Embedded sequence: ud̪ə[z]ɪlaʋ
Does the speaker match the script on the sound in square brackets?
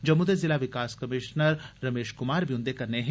yes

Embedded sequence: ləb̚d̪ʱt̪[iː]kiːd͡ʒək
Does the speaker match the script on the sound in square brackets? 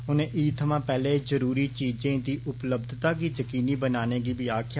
no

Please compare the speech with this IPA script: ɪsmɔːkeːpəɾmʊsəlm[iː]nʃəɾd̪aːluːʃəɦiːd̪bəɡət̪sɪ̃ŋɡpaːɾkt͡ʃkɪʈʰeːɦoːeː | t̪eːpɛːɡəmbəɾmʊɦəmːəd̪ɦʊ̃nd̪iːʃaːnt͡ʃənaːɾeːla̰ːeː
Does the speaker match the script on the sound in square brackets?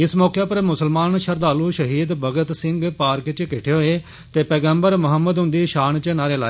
no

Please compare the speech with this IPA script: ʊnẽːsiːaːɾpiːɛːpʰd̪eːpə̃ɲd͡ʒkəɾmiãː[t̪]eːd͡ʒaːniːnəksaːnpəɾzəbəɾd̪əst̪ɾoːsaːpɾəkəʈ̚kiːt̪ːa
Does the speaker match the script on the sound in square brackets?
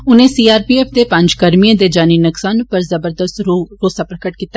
no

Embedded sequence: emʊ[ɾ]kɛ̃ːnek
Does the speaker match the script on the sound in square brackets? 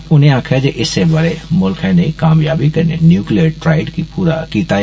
no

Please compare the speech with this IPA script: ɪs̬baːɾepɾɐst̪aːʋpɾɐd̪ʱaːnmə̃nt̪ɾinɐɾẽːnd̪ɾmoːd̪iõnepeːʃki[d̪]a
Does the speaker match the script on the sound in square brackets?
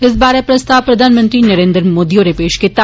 no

